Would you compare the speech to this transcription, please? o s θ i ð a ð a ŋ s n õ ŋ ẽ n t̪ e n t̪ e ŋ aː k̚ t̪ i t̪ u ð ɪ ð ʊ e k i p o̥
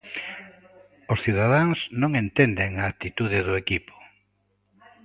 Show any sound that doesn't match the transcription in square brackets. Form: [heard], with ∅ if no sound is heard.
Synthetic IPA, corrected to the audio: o s θ i ð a ð a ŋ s n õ ŋ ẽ n t̪ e n [d̪] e ŋ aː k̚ t̪ i t̪ u ð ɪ ð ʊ e k i p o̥